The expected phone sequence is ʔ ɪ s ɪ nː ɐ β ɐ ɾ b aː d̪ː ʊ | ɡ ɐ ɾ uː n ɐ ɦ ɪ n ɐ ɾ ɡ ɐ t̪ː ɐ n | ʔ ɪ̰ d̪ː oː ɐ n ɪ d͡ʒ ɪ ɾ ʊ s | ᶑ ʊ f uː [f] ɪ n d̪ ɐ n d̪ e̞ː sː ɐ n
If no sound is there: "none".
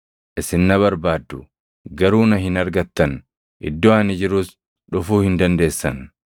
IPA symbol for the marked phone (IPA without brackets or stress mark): h